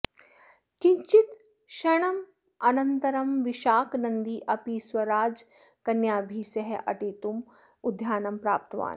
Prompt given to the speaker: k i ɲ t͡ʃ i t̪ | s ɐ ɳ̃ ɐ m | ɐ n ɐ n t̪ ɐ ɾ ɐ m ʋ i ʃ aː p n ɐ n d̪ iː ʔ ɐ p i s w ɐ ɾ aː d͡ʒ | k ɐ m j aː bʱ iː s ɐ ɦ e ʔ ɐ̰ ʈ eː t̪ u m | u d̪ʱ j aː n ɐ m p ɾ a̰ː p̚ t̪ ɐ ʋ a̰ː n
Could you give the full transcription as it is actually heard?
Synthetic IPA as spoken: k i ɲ t͡ʃ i t̪ | ʃ ɐ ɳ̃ ɐ m | ɐ n ɐ n t̪ ɐ ɾ ɐ m ʋ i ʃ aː k n ɐ n d̪ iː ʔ ɐ p i s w ɐ ɾ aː d͡ʒ | k ɐ n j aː bʱ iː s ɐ ɦ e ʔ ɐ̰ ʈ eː t̪ u m | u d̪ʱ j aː n ɐ m p ɾ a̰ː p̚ t̪ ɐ ʋ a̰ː n